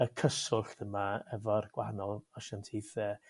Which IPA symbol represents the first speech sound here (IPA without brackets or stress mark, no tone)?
ə